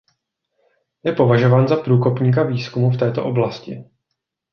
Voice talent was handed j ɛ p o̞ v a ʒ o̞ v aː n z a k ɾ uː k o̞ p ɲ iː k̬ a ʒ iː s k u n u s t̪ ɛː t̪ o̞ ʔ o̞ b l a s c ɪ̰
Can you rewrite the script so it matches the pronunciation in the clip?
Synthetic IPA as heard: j ɛ p o̞ v a ʒ o̞ v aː n z a p ɾ uː k o̞ p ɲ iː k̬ a v iː s k u m u f t̪ ɛː t̪ o̞ ʔ o̞ b l a s c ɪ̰